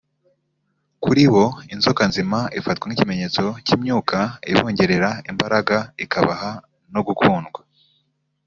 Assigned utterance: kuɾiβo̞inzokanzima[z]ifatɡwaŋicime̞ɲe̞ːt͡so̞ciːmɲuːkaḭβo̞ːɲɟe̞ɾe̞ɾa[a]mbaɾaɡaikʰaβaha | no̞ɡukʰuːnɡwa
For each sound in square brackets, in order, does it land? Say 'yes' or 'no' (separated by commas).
no, no